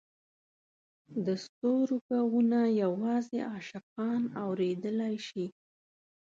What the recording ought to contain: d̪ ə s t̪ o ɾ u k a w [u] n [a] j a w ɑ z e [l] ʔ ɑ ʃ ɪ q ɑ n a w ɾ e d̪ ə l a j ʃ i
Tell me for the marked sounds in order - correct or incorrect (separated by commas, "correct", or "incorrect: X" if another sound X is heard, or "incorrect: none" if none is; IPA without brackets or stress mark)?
correct, correct, incorrect: none